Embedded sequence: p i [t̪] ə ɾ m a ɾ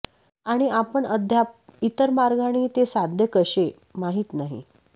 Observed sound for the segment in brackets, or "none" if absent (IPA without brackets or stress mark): t̪